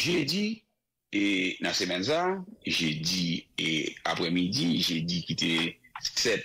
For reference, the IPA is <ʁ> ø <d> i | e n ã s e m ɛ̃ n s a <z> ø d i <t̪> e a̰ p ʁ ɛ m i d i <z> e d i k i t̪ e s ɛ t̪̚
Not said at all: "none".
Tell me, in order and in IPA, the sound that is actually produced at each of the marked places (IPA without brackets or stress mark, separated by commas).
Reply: ʒ, d, ʒ, none, ʒ